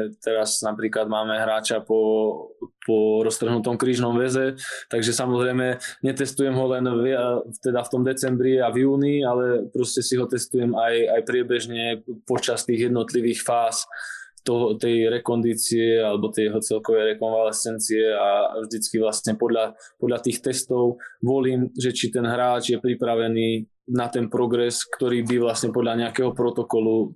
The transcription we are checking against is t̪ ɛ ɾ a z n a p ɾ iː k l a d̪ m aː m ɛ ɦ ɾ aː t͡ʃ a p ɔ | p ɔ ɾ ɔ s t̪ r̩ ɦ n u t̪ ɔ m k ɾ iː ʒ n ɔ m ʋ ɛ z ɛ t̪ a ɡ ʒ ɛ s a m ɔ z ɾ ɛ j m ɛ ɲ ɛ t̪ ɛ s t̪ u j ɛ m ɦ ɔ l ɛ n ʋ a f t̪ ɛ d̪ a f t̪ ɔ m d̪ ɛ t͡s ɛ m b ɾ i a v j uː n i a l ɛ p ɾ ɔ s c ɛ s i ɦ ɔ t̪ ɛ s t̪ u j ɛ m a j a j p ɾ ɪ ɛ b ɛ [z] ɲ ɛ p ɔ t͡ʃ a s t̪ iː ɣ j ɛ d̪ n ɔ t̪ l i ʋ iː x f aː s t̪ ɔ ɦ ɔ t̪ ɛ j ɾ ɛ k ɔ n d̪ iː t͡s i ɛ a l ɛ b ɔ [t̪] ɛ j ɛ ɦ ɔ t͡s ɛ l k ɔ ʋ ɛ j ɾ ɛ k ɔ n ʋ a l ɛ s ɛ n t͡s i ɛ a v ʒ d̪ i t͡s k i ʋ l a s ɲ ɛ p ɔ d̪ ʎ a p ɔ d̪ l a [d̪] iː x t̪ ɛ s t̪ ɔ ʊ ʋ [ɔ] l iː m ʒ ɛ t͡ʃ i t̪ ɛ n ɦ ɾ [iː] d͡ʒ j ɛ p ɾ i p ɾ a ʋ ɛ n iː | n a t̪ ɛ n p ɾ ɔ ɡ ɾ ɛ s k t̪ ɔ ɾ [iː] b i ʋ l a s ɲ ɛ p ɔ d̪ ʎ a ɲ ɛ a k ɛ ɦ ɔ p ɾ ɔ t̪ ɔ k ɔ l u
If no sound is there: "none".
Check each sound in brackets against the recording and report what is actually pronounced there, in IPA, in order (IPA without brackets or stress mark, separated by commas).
ʒ, t̪, t̪, ɔ, aː, iː